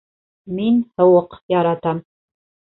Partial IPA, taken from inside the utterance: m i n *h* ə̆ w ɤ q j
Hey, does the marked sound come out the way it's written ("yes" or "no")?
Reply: yes